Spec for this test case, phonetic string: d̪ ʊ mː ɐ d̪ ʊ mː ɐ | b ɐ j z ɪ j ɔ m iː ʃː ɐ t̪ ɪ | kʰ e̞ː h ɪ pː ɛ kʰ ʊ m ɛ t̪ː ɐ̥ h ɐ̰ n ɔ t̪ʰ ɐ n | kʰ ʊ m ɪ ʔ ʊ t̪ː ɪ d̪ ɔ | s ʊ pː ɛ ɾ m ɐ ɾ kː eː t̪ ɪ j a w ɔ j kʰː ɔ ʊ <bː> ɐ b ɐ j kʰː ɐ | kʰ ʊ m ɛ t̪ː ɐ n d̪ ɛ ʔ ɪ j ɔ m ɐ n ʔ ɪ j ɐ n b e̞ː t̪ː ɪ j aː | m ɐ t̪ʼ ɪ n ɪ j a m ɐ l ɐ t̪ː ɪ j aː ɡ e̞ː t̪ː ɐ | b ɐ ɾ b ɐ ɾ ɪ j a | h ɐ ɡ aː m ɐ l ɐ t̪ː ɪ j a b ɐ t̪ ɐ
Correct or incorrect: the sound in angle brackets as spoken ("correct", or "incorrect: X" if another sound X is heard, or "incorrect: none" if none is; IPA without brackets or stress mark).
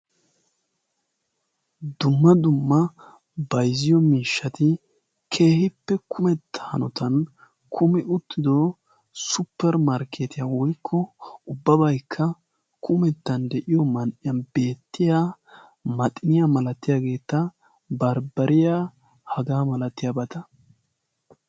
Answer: correct